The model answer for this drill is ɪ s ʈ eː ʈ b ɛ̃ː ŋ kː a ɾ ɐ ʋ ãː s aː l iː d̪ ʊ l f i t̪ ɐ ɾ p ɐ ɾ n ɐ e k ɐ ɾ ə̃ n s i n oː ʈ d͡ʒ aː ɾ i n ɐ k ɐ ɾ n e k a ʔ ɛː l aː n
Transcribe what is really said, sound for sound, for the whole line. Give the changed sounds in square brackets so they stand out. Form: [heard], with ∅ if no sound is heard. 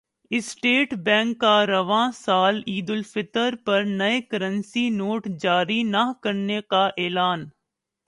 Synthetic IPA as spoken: ɪ s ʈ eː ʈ b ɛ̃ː ŋ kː a ɾ ɐ ʋ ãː s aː l iː d̪ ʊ l f [ɪ] t̪ [ə] ɾ p ɐ ɾ n ɐ e k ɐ ɾ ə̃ n s i n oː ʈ d͡ʒ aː ɾ i n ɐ k ɐ ɾ n e k a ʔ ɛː l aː n